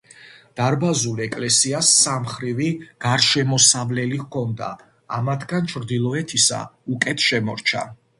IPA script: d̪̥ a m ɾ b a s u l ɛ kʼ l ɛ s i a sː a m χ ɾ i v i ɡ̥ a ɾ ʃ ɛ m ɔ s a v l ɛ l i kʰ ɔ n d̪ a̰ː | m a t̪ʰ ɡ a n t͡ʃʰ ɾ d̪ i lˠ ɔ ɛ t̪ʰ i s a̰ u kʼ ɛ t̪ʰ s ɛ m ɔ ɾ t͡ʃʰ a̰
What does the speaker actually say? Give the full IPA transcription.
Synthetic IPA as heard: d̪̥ a ɾ b a z u l ɛ kʼ l ɛ s i a sː a m χ ɾ i v i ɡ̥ a ɾ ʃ ɛ m ɔ s a v l ɛ l i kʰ ɔ n d̪ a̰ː | m a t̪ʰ ɡ a n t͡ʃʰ ɾ d̪ i lˠ ɔ ɛ t̪ʰ i s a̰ u kʼ ɛ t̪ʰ ʃ ɛ m ɔ ɾ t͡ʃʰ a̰

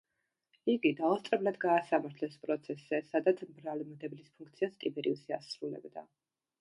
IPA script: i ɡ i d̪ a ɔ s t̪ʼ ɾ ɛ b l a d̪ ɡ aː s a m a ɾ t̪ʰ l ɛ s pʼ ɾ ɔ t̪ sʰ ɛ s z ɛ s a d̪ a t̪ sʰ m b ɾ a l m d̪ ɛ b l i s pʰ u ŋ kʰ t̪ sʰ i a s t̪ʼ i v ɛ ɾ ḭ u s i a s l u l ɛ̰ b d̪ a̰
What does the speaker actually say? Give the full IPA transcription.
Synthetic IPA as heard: i ɡ i d̪ a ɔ s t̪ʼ ɾ ɛ b l a d̪ ɡ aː s a m a ɾ t̪ʰ l ɛ s pʼ ɾ ɔ t̪ sʰ ɛ s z ɛ s a d̪ a t̪ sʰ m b ɾ a l m d̪ ɛ b l i s pʰ u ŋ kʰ t̪ sʰ i a s t̪ʼ i b ɛ ɾ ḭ u s i a s ɾ u l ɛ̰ b d̪ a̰

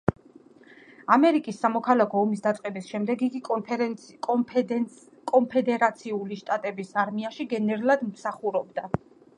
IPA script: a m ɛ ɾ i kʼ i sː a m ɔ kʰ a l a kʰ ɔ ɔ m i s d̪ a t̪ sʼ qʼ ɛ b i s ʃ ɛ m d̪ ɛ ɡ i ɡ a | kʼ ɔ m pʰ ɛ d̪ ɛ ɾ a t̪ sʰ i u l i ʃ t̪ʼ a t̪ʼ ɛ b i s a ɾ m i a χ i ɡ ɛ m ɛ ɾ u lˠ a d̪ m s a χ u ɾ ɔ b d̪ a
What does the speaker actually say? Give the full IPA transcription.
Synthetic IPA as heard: a m ɛ ɾ i kʼ i sː a m ɔ kʰ a l a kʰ ɔ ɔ m i s d̪ a t̪ sʼ qʼ ɛ b i s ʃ ɛ m d̪ ɛ ɡ i ɡ i | kʼ ɔ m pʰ ɛ d̪ ɛ ɾ a t̪ sʰ i u l i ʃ t̪ʼ a t̪ʼ ɛ b i s a ɾ m i a ʃ i ɡ ɛ n ɛ ɾ u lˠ a d̪ m s a χ u ɾ ɔ b d̪ a

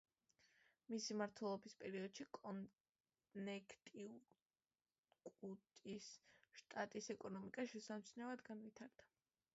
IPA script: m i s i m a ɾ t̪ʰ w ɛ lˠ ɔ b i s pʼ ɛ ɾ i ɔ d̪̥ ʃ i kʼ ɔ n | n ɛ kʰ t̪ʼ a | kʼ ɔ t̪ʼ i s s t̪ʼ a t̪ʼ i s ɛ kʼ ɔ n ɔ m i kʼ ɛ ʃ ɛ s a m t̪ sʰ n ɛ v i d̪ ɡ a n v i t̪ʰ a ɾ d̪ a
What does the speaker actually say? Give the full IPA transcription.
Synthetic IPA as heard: m i s i m a ɾ t̪ʰ w ɛ lˠ ɔ b i s pʼ ɛ ɾ i ɔ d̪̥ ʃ i kʼ ɔ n | n ɛ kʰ t̪ʼ i | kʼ u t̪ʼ i s ʃ t̪ʼ a t̪ʼ i s ɛ kʼ ɔ n ɔ m i kʼ a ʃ ɛ s a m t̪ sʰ n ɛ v a d̪ ɡ a n v i t̪ʰ a ɾ d̪ a

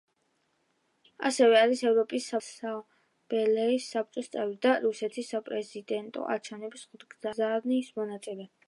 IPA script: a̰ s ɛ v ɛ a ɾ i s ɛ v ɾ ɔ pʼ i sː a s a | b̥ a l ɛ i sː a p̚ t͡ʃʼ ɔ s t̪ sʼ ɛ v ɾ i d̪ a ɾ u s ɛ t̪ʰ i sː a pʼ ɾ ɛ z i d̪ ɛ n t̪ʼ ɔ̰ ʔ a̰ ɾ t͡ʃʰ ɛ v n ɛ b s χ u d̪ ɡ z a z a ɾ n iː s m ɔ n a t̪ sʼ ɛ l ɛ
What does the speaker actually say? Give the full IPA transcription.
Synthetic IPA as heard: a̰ s ɛ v ɛ a ɾ i s ɛ v ɾ ɔ pʼ i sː a s a | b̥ ɛ l ɛ i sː a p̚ t͡ʃʼ ɔ s t̪ sʼ ɛ v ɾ i d̪ a ɾ u s ɛ t̪ʰ i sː a pʼ ɾ ɛ z i d̪ ɛ n t̪ʼ ɔ̰ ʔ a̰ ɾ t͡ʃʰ ɛ v n ɛ b s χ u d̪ ɡ z a z a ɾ n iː s m ɔ n a t̪ sʼ ɛ l ɛ

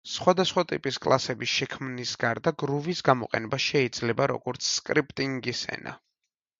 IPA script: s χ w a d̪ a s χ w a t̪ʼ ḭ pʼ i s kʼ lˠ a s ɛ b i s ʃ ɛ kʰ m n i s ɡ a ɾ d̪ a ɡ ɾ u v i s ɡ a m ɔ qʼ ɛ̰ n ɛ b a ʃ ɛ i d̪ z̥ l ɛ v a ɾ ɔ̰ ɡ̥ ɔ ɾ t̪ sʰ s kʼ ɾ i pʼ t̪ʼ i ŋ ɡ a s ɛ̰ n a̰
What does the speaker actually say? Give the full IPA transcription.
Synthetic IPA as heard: s χ w a d̪ a s χ w a t̪ʼ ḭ pʼ i s kʼ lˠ a s ɛ b i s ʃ ɛ kʰ m n i s ɡ a ɾ d̪ a ɡ ɾ u v i s ɡ a m ɔ qʼ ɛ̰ n ɛ b a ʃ ɛ i d̪ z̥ l ɛ b a ɾ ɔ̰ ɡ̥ ɔ ɾ t̪ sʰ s kʼ ɾ i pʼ t̪ʼ i ŋ ɡ i s ɛ̰ n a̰

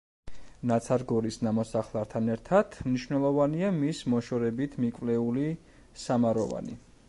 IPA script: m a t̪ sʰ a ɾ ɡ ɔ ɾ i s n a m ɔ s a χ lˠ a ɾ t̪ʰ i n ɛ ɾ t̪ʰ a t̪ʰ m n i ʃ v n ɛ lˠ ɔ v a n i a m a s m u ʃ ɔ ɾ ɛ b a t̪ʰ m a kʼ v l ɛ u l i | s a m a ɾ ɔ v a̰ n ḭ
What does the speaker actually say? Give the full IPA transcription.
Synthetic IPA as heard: n a t̪ sʰ a ɾ ɡ ɔ ɾ i s n a m ɔ s a χ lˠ a ɾ t̪ʰ a n ɛ ɾ t̪ʰ a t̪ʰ m n i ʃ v n ɛ lˠ ɔ v a n i a m i s m ɔ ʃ ɔ ɾ ɛ b i t̪ʰ m i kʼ v l ɛ u l i | s a m a ɾ ɔ v a̰ n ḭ

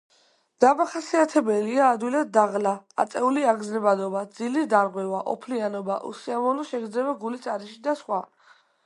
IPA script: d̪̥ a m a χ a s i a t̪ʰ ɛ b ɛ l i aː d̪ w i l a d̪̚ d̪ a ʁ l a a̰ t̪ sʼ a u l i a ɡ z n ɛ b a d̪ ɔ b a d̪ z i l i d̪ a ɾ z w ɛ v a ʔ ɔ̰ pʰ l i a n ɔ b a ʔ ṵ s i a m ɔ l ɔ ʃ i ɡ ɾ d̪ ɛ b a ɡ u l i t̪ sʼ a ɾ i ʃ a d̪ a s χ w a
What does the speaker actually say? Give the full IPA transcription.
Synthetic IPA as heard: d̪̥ a m a χ a s i a t̪ʰ ɛ b ɛ l i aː d̪ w i l a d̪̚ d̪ a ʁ l a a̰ t̪ sʼ ɛ u l i a ɡ z n ɛ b a d̪ ɔ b a d̪ z i l i d̪ a ɾ ʁ w ɛ v a ʔ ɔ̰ pʰ l i a n ɔ b a ʔ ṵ s i a m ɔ l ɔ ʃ ɛ ɡ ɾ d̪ ɛ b a ɡ u l i t̪ sʼ a ɾ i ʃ i d̪ a s χ w a

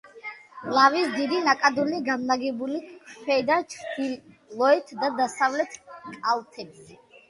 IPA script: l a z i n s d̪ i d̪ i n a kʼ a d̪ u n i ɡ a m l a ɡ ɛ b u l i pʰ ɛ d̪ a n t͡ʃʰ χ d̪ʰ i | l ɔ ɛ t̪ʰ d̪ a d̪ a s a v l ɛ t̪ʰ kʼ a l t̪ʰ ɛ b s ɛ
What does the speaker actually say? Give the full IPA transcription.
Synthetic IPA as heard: l a v i s d̪ i d̪ i n a kʼ a d̪ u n i ɡ a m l a ɡ ɛ b u l i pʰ ɛ d̪ a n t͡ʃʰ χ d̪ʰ i | l ɔ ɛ t̪ʰ d̪ a d̪ a s a v l ɛ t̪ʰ kʼ a l t̪ʰ ɛ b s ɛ

